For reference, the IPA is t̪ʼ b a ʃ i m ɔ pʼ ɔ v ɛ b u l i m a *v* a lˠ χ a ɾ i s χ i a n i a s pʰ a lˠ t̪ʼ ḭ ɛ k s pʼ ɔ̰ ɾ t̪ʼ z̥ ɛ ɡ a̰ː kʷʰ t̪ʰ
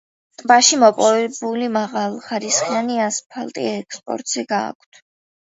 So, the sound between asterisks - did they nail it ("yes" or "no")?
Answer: no